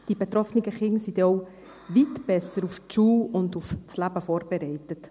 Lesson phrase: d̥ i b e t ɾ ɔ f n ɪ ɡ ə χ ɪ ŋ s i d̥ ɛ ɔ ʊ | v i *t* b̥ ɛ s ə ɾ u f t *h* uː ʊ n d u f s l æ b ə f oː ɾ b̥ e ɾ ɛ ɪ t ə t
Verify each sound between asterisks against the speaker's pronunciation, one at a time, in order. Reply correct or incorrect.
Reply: correct, incorrect: ʃ

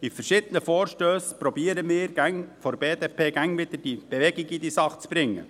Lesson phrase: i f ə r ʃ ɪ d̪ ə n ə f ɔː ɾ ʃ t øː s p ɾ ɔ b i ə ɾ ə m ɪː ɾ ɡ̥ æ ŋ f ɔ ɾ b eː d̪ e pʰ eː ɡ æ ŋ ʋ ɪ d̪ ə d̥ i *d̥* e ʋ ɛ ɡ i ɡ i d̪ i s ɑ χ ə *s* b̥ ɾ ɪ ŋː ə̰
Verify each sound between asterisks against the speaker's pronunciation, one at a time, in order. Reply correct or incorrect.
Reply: incorrect: b̥, incorrect: t͡s

